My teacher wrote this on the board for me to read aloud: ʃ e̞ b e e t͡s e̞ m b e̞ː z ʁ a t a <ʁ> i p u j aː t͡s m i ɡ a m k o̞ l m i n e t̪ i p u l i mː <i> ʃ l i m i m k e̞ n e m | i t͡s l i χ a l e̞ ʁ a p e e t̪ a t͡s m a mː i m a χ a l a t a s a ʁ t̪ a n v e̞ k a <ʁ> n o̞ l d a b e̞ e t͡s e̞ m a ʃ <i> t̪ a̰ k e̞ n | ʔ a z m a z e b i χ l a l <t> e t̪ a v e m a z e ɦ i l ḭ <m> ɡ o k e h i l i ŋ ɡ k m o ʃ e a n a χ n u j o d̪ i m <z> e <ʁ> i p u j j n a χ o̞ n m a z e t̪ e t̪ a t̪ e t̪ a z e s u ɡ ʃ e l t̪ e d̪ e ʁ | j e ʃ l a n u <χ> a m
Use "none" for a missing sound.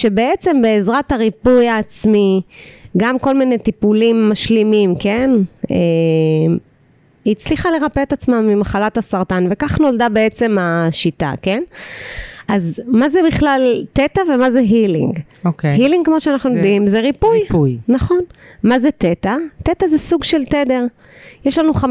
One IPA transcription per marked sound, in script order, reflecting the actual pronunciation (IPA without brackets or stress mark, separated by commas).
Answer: ʁ, a, χ, i, t, ŋ, z, ʁ, χ